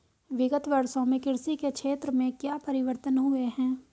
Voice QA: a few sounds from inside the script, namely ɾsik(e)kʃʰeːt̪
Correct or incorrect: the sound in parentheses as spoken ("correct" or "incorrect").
correct